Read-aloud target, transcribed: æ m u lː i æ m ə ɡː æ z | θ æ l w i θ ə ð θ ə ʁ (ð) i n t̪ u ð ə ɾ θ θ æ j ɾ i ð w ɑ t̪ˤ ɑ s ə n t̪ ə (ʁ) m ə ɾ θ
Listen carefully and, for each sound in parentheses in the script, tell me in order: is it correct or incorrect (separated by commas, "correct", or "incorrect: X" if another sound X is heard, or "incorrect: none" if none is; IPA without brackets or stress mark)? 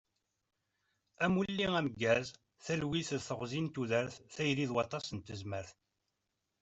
incorrect: z, incorrect: z